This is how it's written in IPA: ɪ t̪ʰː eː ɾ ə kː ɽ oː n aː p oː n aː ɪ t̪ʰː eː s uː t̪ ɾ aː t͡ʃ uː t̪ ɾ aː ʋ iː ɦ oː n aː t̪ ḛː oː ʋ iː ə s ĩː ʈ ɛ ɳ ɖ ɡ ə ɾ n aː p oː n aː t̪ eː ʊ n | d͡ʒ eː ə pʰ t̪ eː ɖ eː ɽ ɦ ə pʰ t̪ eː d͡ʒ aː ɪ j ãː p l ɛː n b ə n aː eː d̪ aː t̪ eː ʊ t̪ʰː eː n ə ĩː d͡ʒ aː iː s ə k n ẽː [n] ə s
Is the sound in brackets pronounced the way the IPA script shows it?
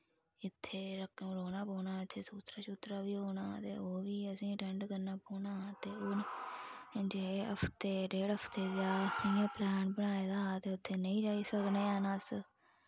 yes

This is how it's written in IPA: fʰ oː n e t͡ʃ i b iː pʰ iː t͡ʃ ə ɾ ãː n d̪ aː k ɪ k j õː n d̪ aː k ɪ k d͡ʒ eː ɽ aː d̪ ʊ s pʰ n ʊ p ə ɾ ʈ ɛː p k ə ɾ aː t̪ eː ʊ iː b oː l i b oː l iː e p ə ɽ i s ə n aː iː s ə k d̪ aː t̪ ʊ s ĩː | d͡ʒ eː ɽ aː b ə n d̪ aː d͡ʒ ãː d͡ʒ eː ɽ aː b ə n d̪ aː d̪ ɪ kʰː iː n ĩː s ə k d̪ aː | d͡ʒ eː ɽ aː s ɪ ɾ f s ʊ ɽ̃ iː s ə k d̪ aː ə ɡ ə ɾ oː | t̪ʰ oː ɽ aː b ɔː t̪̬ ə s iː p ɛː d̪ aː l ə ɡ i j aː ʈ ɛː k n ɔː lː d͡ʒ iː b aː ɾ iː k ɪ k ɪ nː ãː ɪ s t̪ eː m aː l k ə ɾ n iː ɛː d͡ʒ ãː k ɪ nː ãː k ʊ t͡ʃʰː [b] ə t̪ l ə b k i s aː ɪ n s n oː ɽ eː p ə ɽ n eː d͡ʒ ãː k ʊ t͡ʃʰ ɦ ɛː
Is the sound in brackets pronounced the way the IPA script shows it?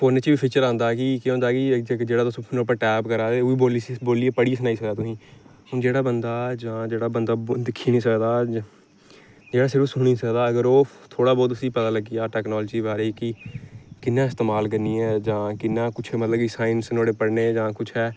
no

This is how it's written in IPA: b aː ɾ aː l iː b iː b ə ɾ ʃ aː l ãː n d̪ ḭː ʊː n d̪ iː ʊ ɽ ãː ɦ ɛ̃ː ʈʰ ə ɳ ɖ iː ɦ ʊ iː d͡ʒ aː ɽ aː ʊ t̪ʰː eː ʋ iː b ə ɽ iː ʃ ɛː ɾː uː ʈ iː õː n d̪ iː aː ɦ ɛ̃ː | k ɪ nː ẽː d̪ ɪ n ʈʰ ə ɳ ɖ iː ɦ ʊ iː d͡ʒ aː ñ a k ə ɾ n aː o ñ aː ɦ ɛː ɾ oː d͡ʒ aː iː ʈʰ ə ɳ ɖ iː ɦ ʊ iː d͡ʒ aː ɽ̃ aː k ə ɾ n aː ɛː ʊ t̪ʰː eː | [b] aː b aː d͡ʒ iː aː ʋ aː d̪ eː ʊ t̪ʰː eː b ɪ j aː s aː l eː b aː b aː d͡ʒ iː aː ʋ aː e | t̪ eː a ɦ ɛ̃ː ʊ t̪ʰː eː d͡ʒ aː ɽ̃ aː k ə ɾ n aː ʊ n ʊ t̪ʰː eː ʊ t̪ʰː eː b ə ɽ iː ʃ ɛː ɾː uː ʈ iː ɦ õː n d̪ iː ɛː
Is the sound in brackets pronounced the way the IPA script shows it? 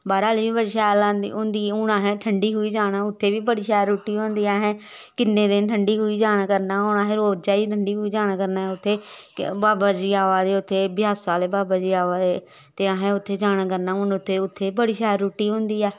yes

